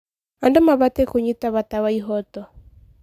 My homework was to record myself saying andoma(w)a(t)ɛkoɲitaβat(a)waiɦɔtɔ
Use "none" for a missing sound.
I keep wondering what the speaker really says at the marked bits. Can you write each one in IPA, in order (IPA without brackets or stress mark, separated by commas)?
β, t, a